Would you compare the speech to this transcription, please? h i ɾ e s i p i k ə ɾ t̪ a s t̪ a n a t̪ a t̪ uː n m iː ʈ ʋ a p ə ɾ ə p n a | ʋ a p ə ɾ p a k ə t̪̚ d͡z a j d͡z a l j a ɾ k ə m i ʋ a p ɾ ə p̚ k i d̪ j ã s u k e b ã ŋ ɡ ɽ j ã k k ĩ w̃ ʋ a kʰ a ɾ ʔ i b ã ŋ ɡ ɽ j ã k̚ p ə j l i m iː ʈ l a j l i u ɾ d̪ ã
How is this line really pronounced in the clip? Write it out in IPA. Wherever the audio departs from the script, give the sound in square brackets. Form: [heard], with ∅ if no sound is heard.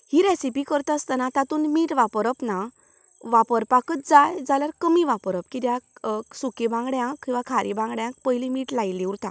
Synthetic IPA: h i ɾ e s i p i k ə ɾ t̪ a s t̪ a n a t̪ a t̪ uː n m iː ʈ ʋ a p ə ɾ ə p n a | ʋ a p ə ɾ p a k ə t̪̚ d͡z a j d͡z a l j a ɾ k ə m i ʋ a p ɾ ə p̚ k i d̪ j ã s u k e b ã ŋ ɡ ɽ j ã k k ĩ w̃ ʋ a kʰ a ɾ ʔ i b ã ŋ ɡ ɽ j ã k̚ p ə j l i m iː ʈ l a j l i u ɾ [t̪] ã